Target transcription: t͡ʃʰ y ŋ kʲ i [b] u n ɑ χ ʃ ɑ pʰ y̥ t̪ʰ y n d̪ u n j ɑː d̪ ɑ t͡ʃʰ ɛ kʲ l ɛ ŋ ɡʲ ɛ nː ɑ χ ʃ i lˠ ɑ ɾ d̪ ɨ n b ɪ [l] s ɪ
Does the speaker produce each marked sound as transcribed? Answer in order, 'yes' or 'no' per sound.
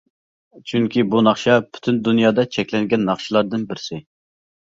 yes, no

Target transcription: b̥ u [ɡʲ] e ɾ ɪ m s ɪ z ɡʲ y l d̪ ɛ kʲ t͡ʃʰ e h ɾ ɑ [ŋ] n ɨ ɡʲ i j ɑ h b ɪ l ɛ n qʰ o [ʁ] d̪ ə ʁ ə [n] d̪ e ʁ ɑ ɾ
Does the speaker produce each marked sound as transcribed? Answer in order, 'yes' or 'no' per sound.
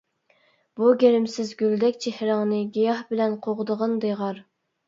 yes, yes, yes, yes

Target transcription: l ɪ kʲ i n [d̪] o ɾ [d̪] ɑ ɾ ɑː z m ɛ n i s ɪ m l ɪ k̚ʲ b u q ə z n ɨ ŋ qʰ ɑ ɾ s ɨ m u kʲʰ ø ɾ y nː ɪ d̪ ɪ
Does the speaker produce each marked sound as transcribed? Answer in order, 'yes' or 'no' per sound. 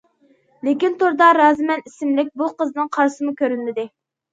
no, yes

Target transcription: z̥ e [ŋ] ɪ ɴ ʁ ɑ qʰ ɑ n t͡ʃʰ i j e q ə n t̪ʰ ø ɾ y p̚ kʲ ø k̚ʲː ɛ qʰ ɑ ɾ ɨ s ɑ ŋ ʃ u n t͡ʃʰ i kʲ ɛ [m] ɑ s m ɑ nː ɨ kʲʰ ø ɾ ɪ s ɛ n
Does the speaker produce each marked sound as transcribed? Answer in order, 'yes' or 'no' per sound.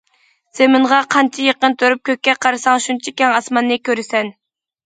no, no

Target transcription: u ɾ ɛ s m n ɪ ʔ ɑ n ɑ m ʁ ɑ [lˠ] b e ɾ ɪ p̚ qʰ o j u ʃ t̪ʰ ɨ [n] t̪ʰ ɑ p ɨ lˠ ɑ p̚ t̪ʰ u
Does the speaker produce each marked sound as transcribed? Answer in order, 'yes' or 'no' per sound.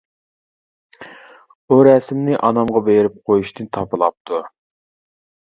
no, yes

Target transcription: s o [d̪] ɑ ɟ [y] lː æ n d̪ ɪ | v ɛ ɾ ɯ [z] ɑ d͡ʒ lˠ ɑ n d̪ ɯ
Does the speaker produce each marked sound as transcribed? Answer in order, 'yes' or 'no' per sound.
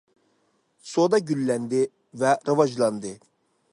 yes, yes, no

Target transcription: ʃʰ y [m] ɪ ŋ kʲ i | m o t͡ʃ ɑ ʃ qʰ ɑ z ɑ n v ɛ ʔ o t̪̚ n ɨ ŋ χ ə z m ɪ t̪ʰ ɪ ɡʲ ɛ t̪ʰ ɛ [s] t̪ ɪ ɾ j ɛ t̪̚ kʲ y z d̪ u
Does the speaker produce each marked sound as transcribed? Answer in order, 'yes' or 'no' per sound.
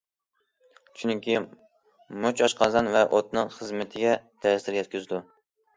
no, yes

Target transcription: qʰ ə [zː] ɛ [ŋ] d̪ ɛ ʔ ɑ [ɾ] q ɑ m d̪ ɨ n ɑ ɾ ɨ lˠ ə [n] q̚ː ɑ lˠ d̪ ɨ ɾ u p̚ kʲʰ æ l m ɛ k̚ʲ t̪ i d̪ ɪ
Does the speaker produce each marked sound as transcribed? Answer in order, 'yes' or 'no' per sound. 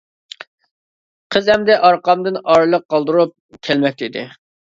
no, no, yes, no

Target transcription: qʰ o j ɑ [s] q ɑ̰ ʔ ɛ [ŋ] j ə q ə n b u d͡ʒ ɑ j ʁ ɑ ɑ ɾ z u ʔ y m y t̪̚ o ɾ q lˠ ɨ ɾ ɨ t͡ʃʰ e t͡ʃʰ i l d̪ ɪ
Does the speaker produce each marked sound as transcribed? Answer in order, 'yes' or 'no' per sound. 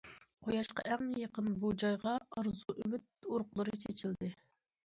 no, yes

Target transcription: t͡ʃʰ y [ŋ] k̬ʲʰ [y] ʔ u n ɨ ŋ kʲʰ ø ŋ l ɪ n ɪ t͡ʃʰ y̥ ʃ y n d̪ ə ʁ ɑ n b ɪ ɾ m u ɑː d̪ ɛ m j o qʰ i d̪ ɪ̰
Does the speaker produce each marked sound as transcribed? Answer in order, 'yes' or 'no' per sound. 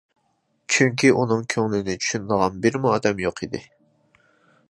yes, no

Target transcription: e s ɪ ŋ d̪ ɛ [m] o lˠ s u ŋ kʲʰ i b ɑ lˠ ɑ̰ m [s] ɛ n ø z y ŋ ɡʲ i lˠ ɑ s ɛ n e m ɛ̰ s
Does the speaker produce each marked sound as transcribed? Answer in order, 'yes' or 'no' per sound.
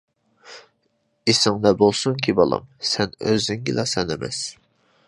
no, yes

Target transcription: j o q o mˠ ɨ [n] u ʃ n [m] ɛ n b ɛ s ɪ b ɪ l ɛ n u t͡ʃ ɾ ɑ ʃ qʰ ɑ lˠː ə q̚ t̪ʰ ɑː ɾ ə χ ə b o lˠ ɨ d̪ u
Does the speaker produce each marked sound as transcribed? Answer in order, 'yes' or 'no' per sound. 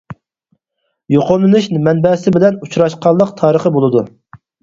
yes, yes

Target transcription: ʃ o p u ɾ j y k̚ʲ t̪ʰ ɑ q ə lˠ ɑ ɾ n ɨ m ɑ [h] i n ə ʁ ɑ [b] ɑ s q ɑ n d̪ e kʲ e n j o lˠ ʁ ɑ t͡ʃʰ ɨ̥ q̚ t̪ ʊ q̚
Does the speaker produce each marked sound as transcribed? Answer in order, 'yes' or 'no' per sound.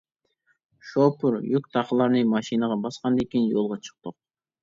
no, yes

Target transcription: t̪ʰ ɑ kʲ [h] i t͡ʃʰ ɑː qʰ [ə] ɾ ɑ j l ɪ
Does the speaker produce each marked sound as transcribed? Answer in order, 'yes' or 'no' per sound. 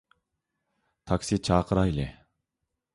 no, yes

